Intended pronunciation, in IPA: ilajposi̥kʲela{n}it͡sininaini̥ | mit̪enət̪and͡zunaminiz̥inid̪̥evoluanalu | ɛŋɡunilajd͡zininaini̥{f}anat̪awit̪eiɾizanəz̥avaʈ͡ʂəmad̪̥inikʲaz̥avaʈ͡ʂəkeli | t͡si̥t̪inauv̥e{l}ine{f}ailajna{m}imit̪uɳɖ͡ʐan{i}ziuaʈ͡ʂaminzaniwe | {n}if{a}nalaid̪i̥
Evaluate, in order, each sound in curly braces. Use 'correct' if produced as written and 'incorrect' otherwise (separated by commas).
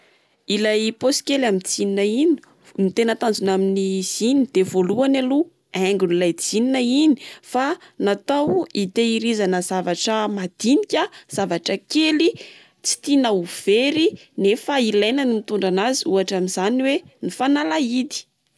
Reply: incorrect, correct, incorrect, correct, incorrect, incorrect, correct, correct